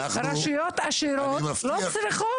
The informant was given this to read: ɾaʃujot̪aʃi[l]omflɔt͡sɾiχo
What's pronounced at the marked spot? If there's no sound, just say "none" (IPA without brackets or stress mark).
ɾ